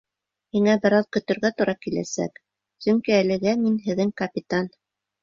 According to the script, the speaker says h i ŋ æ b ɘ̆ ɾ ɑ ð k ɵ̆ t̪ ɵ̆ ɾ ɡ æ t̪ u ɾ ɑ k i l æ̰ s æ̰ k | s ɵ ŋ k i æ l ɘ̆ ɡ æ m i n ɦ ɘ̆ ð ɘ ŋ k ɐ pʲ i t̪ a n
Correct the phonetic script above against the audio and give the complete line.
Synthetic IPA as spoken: h i ŋ æ b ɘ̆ ɾ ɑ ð k ɵ̆ t̪ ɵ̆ ɾ ɡ æ t̪ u ɾ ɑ k i l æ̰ s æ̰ k | s ɵ ŋ k i æ l ɘ̆ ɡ æ m i n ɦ ɘ̆ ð ɘ ŋ k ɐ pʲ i t̪ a n

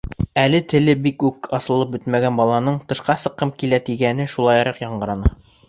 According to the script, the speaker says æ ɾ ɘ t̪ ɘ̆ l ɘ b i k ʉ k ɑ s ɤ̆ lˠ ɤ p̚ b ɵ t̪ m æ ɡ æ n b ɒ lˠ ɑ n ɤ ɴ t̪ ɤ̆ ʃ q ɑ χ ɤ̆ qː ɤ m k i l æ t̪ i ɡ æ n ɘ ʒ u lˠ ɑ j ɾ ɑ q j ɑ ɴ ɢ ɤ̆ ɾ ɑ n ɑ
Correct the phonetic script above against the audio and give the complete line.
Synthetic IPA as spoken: æ l ɘ t̪ ɘ̆ l ɘ b i k ʉ k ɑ s ɤ̆ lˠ ɤ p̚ b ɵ t̪ m æ ɡ æ n b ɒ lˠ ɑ n ɤ ɴ t̪ ɤ̆ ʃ q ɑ s ɤ̆ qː ɤ m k i l æ t̪ i ɡ æ n ɘ ʃ u lˠ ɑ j ɾ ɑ q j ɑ ɴ ɢ ɤ̆ ɾ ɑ n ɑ

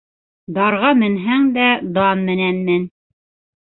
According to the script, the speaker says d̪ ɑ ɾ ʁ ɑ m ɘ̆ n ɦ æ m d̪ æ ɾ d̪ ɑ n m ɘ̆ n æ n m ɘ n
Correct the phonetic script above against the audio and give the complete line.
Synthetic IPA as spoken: d̪ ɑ ɾ ʁ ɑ m ɘ̆ n ɦ æ ŋ d̪ æ d̪ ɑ n m ɘ̆ n æ n m ɘ n

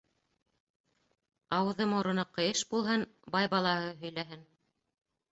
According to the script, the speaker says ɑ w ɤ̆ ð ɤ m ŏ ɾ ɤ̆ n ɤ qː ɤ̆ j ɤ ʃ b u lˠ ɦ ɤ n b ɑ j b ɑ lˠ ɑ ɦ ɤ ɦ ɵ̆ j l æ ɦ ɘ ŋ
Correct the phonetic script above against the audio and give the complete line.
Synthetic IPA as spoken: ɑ w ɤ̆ ð ɤ m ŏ ɾ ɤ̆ n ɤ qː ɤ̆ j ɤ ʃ b u lˠ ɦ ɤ n b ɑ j b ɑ lˠ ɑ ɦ ɤ ɦ ɵ̆ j l æ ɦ ɘ n

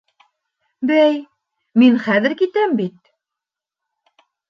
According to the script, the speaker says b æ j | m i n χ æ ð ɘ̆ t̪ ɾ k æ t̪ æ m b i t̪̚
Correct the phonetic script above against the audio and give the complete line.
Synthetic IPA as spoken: b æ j | m i n χ æ ð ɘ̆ ɾ k i t̪ æ m b i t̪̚

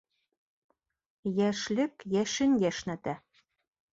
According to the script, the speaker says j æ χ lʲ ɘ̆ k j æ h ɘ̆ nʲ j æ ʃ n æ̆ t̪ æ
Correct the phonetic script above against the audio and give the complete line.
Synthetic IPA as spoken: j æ ʃ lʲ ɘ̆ k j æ ʃ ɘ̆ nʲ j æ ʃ n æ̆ t̪ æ

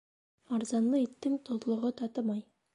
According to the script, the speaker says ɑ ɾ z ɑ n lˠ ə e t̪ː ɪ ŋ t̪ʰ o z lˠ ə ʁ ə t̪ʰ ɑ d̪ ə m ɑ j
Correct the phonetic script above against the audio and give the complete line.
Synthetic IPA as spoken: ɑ ɾ z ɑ n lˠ ə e t̪ː ɪ ŋ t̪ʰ o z lˠ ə ʁ ə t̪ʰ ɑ t̪ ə m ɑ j

